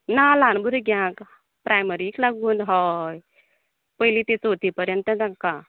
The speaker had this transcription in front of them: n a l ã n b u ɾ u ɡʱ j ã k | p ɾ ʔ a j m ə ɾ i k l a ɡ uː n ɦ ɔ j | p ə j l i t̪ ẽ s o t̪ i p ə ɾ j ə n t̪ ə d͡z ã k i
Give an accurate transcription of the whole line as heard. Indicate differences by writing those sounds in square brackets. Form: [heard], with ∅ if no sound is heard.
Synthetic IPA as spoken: n a l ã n b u ɾ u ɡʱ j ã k | p ɾ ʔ a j m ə ɾ i k l a ɡ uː n ɦ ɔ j | p ə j l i t̪ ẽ [t͡s] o t̪ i p ə ɾ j ə n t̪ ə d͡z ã k [a]